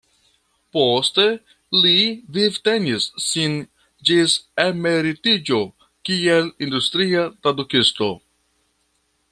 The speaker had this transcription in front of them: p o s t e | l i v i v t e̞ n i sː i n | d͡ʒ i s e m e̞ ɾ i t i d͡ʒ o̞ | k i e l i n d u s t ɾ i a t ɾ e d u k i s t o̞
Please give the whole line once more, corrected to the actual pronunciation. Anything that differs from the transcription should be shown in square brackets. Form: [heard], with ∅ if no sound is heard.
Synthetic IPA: p o s t e | l i v i v t e̞ n i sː i n | d͡ʒ i s e m e̞ ɾ i t i d͡ʒ o̞ | k i e l i n d u s t ɾ i a t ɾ [a] d u k i s t o̞